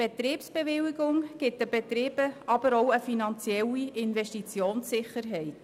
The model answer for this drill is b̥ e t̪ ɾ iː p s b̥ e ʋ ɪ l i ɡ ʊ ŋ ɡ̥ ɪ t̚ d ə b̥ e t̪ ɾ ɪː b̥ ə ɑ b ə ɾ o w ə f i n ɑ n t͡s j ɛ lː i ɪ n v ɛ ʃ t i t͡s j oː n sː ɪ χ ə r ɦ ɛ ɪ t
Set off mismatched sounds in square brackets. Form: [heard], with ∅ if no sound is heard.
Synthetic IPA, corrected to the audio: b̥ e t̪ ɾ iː p s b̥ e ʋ ɪ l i ɡ ʊ ŋ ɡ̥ ɪ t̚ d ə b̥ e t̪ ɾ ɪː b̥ ə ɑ b ə ɾ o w ə f i n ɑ n t͡s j ɛ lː i ɪ n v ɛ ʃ t i t͡s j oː n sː ɪ χ ə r ɦ ɛ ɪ t